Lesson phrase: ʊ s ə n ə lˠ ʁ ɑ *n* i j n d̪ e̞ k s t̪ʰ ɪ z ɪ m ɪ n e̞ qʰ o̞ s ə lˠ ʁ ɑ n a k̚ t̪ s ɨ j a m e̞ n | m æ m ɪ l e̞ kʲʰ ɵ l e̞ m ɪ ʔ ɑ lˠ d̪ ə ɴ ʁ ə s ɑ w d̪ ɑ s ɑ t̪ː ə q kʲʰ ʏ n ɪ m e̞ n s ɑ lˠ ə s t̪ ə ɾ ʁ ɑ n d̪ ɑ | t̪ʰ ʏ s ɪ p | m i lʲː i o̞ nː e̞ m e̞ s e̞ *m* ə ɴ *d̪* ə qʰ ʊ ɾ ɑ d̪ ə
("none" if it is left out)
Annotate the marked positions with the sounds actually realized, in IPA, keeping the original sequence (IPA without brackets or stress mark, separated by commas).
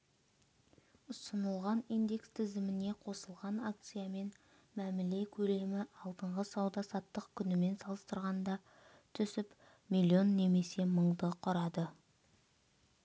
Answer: n, m, d̪